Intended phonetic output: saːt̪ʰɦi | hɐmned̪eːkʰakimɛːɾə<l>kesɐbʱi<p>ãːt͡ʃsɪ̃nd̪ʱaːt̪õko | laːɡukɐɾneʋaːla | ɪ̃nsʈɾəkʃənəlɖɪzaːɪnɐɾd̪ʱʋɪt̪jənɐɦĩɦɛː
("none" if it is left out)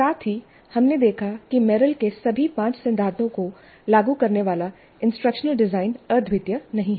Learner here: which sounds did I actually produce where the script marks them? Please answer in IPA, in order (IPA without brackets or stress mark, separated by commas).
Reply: l, p